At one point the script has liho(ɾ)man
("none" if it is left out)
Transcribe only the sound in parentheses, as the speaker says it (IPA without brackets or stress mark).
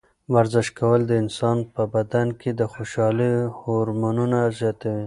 ɾ